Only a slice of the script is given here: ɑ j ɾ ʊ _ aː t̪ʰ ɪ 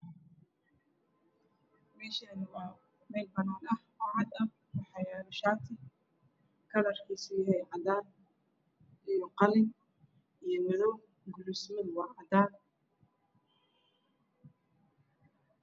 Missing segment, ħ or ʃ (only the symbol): ʃ